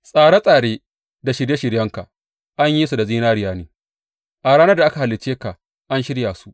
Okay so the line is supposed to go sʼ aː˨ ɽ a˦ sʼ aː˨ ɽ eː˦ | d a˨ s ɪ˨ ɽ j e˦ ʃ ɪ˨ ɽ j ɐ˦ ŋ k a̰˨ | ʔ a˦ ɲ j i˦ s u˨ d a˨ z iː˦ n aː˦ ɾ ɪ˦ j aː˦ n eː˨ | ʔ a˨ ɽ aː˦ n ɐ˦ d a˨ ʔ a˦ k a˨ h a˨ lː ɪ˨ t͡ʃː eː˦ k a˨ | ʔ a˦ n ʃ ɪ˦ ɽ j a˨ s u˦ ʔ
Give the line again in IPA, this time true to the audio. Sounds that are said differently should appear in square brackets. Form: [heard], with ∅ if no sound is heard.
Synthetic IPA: sʼ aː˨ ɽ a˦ sʼ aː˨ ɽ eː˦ | d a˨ [ʃ] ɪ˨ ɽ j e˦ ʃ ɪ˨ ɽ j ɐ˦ ŋ k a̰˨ | ʔ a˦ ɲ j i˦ s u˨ d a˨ z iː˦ n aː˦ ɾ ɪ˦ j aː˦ n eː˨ | ʔ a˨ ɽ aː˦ n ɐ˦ d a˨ ʔ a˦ k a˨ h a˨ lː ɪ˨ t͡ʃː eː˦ k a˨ | ʔ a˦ n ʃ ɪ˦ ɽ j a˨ s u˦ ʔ